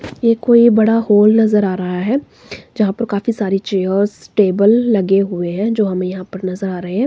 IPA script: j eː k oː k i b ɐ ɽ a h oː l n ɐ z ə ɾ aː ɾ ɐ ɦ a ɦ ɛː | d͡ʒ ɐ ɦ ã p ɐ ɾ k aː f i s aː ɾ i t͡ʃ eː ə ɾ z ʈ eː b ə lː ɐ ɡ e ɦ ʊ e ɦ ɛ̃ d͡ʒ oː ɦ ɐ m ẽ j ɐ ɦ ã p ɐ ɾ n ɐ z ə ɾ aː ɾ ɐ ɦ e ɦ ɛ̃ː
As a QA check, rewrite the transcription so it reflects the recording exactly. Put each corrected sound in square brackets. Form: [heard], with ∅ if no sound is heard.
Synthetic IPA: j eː k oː [∅] i b ɐ ɽ a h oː l n ɐ z ə ɾ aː ɾ ɐ ɦ a ɦ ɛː | d͡ʒ ɐ ɦ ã p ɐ ɾ k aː f i s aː ɾ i t͡ʃ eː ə ɾ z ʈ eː b ə lː ɐ ɡ e ɦ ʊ e ɦ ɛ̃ d͡ʒ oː ɦ ɐ m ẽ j ɐ ɦ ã p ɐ ɾ n ɐ z ə ɾ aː ɾ ɐ ɦ e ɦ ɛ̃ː